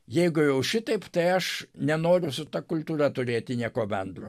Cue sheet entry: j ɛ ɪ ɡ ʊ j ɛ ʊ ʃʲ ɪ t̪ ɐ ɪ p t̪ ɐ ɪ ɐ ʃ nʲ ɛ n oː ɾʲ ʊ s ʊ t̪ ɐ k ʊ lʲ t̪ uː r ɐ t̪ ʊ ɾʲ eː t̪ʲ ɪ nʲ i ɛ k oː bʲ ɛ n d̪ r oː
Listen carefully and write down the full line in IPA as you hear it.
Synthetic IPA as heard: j ɛ ɪ ɡ ʊ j ɛ ʊ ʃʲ ɪ t̪ ɐ ɪ p t̪ ɐ ɪ ɐ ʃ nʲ ɛ n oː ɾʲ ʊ s ʊ t̪ ɐ k ʊ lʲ t̪ uː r ɐ t̪ ʊ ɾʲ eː t̪ʲ ɪ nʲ i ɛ k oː bʲ ɛ n d̪ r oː